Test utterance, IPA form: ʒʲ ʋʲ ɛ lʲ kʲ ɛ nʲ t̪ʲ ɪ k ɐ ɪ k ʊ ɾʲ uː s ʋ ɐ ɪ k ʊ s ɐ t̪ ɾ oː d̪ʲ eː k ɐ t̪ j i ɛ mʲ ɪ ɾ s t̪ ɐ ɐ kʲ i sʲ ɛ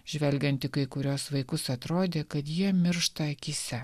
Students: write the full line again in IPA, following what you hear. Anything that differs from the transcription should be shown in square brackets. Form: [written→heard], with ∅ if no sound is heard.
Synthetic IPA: ʒʲ ʋʲ ɛ lʲ [kʲ→ɡʲ] ɛ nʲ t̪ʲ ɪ k ɐ ɪ k ʊ ɾʲ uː s ʋ ɐ ɪ k ʊ s ɐ t̪ ɾ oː d̪ʲ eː k ɐ t̪ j i ɛ mʲ ɪ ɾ [s→ʃ] t̪ ɐ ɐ kʲ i sʲ ɛ